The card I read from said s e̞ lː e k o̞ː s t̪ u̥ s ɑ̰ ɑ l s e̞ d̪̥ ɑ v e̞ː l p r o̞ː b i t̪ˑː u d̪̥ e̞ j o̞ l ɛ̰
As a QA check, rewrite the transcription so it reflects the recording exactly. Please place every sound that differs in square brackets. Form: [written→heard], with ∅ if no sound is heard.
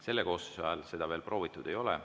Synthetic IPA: s e̞ lː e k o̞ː s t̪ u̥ s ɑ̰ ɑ l s e̞ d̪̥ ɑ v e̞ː l p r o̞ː [b→v] i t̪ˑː u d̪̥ e̞ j o̞ l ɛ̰